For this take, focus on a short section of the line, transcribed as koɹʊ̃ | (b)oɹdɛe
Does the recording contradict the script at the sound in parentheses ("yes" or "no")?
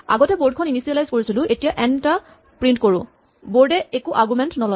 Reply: no